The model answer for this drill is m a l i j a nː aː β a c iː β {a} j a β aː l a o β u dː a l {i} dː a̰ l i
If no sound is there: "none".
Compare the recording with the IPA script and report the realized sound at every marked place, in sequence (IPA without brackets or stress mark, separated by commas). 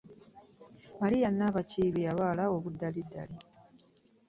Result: i, i